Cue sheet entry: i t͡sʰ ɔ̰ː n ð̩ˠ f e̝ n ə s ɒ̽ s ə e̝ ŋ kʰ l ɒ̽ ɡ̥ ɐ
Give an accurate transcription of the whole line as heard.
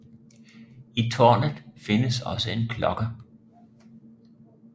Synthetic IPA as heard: i t͡sʰ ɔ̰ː n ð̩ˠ f e̝ n ə s ɒ̽ s ə e̝ n kʰ l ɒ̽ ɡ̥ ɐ